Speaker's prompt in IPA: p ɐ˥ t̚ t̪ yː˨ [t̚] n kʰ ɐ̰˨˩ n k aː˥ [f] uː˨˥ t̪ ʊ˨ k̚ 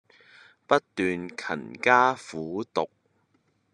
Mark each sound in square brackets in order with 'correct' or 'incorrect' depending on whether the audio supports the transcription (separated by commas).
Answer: incorrect, correct